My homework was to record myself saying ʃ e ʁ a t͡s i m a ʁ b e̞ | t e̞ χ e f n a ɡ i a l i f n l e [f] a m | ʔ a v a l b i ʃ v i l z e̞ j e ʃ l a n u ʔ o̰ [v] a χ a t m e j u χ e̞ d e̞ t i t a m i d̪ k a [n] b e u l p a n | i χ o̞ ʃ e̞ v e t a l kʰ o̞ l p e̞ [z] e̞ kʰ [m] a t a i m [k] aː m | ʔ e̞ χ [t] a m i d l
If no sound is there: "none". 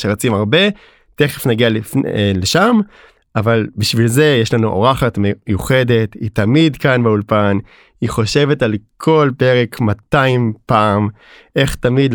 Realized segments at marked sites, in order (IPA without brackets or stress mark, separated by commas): ʃ, ʁ, n, ʁ, m, p, t